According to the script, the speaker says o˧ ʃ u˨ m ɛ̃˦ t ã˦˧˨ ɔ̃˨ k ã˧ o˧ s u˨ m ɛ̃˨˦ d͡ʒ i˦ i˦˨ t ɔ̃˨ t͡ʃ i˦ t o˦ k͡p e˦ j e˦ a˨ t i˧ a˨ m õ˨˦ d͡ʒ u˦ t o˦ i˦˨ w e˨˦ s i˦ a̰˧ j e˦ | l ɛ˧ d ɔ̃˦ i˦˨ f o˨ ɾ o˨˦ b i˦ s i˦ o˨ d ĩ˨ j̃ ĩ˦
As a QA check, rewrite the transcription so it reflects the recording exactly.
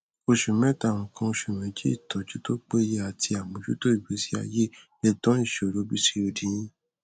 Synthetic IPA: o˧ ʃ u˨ m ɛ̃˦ t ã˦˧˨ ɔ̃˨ k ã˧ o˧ ʃ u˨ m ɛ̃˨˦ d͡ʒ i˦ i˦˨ t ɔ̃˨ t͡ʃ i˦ t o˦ k͡p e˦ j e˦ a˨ t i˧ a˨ m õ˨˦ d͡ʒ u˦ t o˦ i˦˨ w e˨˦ s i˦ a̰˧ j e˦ | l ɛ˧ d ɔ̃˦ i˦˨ ʃ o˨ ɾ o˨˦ b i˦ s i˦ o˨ d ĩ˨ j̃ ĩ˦

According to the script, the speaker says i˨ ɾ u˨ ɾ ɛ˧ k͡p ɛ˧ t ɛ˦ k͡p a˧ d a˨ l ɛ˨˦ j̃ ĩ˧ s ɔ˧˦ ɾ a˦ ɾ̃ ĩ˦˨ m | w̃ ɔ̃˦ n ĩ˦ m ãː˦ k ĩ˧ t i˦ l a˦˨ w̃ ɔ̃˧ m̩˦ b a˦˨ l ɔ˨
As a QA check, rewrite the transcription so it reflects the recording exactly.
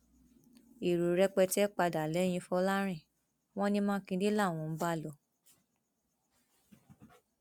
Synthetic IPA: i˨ ɾ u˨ ɾ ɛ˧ k͡p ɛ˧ t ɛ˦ k͡p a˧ d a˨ l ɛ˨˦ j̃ ĩ˧ f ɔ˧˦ l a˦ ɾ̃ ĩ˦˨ | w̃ ɔ̃˦ n ĩ˦ m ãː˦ k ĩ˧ d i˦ l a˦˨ w̃ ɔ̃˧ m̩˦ b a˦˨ l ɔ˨

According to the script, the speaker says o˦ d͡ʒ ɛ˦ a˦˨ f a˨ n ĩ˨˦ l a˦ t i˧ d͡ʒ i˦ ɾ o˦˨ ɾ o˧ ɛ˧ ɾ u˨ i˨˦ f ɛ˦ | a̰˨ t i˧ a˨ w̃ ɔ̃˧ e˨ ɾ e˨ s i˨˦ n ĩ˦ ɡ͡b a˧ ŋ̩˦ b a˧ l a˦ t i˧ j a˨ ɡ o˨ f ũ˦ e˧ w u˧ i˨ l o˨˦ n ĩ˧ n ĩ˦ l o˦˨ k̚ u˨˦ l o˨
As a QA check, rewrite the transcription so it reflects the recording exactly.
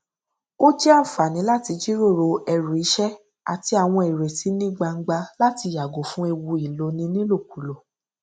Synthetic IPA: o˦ d͡ʒ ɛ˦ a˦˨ f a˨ n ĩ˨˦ l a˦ t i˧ d͡ʒ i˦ ɾ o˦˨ ɾ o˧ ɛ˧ ɾ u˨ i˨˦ ʃ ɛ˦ | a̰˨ t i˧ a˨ w̃ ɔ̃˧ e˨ ɾ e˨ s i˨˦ n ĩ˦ ɡ͡b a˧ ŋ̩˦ ɡ͡b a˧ l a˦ t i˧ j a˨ ɡ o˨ f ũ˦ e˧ w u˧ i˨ l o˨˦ n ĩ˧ n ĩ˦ l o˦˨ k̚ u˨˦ l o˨

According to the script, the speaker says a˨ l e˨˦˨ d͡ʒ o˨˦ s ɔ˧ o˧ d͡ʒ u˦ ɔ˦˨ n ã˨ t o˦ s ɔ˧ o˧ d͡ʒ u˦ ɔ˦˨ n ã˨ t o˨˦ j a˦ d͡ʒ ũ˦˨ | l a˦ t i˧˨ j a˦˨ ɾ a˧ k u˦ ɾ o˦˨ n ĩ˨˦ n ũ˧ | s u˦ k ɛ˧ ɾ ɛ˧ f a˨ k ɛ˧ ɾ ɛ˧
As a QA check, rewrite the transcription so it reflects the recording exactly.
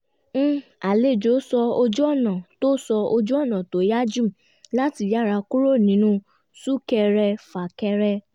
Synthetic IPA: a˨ l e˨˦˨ d͡ʒ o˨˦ s ɔ˧ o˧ d͡ʒ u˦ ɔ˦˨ n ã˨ t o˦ s ɔ˧ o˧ d͡ʒ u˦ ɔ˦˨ n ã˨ t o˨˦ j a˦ d͡ʒ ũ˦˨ | l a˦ t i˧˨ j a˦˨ ɾ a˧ k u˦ ɾ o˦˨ n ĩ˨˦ n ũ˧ | s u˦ k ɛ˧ ɾ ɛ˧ f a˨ k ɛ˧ ɾ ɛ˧

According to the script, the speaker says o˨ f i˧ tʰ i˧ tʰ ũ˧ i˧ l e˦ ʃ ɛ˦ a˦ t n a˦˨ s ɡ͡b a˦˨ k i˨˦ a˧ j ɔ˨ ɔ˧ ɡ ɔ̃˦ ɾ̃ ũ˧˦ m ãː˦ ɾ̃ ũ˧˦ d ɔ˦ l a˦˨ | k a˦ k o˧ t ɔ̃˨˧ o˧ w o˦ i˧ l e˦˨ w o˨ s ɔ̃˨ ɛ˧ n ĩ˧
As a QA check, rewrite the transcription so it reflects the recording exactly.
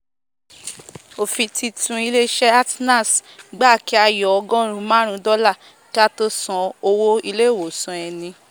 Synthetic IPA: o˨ f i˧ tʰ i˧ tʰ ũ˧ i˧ l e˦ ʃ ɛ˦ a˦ t n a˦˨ s ɡ͡b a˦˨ k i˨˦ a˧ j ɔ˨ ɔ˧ ɡ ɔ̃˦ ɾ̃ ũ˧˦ m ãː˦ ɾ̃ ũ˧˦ d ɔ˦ l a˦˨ | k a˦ t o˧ s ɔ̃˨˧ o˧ w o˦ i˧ l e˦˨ w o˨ s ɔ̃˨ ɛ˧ n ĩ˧

